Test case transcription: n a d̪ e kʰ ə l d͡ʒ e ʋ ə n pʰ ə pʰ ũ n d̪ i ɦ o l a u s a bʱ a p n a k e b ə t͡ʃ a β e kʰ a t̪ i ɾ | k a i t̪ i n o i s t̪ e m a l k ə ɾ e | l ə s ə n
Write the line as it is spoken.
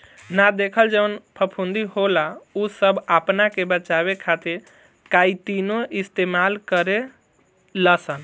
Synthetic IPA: n a d̪ e kʰ ə l d͡ʒ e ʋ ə n pʰ ə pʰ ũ n d̪ i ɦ o l a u s ə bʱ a p n a k e b ə t͡ʃ a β e kʰ a t̪ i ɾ | k a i t̪ i n o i s t̪ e m a l k ə ɾ e | l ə s ə n